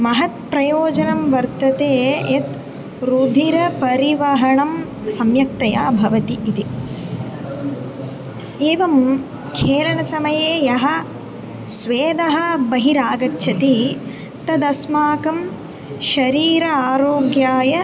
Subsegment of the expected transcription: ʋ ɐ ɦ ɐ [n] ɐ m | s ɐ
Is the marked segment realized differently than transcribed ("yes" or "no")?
yes